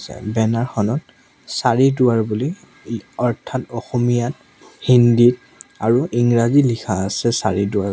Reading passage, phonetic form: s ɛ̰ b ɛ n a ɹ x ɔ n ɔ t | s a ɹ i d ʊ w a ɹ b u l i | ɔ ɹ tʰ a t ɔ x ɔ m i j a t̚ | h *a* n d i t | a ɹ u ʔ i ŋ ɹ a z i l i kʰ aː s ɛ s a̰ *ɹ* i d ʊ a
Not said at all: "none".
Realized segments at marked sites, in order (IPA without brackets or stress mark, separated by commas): i, ɹ